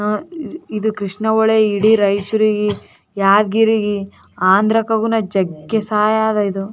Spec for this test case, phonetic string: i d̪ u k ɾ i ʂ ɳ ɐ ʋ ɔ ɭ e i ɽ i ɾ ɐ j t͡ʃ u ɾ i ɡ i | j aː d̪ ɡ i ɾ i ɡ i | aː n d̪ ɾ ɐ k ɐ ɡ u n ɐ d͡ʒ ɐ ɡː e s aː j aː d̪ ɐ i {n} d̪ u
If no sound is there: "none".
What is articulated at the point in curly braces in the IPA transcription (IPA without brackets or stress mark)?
none